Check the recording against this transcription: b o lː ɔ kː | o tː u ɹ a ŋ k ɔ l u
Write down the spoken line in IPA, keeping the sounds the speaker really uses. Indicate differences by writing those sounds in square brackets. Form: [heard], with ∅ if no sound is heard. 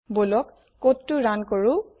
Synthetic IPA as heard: b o [l] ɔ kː | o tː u ɹ a [n] k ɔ [ɹ] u